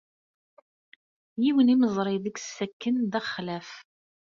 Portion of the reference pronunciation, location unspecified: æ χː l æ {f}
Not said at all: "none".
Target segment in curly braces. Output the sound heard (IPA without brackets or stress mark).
f